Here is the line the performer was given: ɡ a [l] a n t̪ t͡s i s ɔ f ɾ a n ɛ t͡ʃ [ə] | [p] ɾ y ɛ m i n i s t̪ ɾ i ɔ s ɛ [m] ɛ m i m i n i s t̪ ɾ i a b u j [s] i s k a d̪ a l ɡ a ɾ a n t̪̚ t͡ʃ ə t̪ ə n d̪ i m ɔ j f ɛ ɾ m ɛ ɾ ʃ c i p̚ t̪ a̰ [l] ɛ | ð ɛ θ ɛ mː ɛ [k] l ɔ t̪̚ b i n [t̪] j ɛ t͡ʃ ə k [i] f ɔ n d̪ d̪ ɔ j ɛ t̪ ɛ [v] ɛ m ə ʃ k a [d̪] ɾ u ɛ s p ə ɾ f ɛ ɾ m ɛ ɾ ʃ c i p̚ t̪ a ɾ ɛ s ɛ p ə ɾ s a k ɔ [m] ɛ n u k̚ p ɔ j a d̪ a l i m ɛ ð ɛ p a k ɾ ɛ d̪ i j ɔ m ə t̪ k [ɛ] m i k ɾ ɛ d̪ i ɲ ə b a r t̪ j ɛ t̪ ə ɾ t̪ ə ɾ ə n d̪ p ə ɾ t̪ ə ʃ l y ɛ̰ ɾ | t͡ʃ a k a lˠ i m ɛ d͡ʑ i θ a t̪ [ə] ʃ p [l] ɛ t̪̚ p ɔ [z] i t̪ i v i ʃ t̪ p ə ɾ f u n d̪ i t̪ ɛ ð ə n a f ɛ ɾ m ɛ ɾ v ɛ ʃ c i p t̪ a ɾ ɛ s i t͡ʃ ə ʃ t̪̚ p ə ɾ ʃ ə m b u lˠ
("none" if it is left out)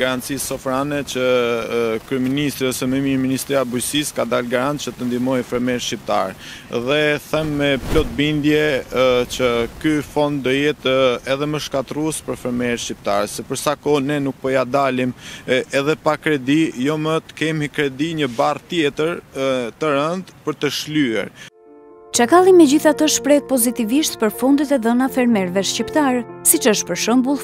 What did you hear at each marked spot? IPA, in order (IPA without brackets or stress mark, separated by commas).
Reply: ɾ, ə, k, m, s, ɾ, p, d̪, y, ð, t̪, n, ɛ, ə, ɾ, z